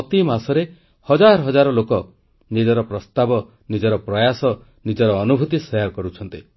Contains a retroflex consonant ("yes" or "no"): no